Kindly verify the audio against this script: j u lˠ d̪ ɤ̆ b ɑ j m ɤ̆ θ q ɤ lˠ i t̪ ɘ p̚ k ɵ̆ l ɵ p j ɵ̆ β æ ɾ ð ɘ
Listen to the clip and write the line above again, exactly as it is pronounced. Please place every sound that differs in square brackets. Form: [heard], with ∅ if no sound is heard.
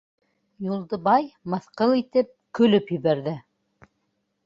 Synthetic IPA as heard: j u lˠ d̪ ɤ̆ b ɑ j m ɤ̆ θ q ɤ lˠ i t̪ ɘ p̚ k ɵ̆ l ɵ p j ɵ̆ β æ ɾ ð ɘ

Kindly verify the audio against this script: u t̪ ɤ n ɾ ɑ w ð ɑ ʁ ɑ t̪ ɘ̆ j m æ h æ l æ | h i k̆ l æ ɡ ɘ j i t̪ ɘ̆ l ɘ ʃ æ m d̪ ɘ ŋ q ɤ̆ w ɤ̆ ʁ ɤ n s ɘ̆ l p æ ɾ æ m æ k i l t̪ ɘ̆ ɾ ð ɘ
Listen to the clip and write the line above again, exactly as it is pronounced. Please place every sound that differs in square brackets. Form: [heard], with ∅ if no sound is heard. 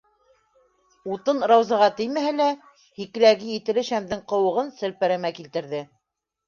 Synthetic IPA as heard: u t̪ ɤ n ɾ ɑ w [z] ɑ ʁ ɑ t̪ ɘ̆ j m æ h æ l æ | h i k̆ l æ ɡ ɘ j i t̪ ɘ̆ l ɘ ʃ æ m d̪ ɘ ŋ q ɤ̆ w ɤ̆ ʁ ɤ n s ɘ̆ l p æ ɾ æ m æ k i l t̪ ɘ̆ ɾ ð ɘ

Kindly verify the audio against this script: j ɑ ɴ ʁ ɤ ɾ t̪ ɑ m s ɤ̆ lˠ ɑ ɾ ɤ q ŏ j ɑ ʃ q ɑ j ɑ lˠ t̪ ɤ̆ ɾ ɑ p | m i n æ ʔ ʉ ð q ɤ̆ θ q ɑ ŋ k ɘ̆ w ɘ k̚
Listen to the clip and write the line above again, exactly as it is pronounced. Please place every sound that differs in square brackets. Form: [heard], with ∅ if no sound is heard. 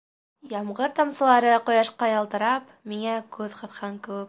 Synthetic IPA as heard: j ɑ [m] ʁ ɤ ɾ t̪ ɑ m s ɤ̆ lˠ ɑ ɾ ɤ q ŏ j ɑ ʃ q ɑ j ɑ lˠ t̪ ɤ̆ ɾ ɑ p | m i [ŋ] æ [k] ʉ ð q ɤ̆ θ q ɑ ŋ k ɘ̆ w ɘ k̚

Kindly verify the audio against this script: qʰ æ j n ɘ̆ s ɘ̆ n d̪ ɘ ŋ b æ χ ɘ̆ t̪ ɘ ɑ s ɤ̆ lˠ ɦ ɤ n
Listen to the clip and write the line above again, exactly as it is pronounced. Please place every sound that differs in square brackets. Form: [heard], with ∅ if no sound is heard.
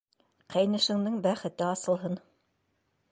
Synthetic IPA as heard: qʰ æ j n ɘ̆ [ʃ] ɘ̆ [ŋ] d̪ ɘ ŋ b æ χ ɘ̆ t̪ ɘ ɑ s ɤ̆ lˠ ɦ ɤ n

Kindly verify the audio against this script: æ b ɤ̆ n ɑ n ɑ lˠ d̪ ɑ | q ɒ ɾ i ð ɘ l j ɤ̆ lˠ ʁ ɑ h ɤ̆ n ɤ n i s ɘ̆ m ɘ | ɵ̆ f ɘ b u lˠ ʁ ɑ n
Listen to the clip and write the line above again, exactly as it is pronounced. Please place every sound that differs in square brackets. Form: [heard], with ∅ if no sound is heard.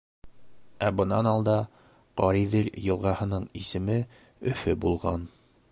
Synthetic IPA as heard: æ b ɤ̆ n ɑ n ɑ lˠ d̪ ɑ | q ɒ ɾ i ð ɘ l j ɤ̆ lˠ ʁ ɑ h ɤ̆ n ɤ [ɴ] i s ɘ̆ m ɘ | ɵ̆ f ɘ b u lˠ ʁ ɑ n

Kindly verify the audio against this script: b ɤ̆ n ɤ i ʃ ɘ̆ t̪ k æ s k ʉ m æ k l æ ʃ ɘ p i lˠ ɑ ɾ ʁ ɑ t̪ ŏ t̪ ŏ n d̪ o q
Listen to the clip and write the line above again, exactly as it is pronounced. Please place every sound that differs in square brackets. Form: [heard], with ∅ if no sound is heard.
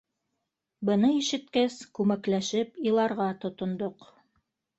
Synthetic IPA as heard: b ɤ̆ n ɤ i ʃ ɘ̆ t̪ k æ s k ʉ m æ k l æ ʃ ɘ p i lˠ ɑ ɾ ʁ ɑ t̪ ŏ t̪ ŏ n d̪ o q

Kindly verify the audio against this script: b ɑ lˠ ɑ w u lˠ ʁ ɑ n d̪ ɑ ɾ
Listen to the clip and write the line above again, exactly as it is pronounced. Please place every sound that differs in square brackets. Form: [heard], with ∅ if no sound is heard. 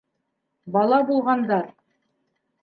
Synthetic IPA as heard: b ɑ lˠ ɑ [b] u lˠ ʁ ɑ n d̪ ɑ ɾ

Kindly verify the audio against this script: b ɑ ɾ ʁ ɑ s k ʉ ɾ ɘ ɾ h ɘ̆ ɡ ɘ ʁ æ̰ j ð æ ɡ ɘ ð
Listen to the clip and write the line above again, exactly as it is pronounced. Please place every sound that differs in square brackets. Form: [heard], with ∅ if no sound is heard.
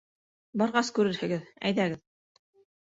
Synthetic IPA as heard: b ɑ ɾ ʁ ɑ s k ʉ ɾ ɘ ɾ h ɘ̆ ɡ ɘ [ð] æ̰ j ð æ ɡ ɘ ð

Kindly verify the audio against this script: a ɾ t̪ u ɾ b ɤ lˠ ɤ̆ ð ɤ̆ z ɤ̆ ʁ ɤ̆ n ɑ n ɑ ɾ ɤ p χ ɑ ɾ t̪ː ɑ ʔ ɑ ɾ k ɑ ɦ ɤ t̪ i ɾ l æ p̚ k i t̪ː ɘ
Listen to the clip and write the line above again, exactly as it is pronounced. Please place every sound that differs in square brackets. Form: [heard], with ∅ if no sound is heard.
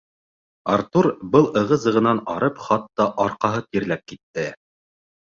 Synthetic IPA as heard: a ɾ t̪ u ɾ b ɤ lˠ ɤ̆ [ʁ] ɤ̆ z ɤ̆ ʁ ɤ̆ n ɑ n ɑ ɾ ɤ p χ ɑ [∅] t̪ː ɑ ʔ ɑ ɾ [q] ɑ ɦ ɤ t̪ i ɾ l æ p̚ k i t̪ː ɘ

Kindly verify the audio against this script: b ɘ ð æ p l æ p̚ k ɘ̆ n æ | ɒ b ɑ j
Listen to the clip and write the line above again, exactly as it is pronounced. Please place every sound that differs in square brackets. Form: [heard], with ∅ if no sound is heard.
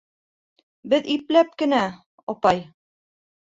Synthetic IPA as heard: b ɘ ð [i] p l æ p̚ k ɘ̆ n æ | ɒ [p] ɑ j

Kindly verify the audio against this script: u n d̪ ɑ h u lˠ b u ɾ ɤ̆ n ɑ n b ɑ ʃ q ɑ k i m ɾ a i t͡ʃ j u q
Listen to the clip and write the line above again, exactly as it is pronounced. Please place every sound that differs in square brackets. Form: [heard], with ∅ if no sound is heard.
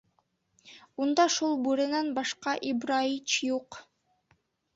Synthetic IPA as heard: u n d̪ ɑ [ʃ] u lˠ b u ɾ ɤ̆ n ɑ n b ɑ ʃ q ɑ [ʔ] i [b] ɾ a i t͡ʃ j u q

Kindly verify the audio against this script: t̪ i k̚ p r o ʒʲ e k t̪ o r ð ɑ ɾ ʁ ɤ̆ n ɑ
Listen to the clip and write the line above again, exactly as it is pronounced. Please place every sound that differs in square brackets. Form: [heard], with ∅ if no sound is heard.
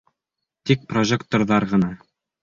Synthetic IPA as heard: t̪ i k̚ p r o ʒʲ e k t̪ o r ð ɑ ɾ ʁ ɤ̆ n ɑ

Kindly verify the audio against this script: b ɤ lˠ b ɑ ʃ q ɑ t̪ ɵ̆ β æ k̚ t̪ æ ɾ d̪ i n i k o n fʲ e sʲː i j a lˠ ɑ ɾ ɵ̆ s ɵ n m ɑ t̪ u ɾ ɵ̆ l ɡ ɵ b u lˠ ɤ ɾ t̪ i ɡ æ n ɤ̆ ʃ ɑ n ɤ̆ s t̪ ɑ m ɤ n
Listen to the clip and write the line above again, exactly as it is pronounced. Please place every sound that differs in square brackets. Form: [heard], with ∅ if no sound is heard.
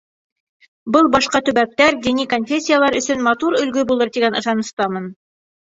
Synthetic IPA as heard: b ɤ lˠ b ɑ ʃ q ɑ t̪ ɵ̆ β æ k̚ t̪ æ ɾ d̪ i n i k o n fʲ e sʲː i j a lˠ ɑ ɾ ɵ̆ s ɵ n m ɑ t̪ u ɾ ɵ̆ l ɡ ɵ b u lˠ ɤ ɾ t̪ i ɡ æ n ɤ̆ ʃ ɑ n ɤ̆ s t̪ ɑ m ɤ n

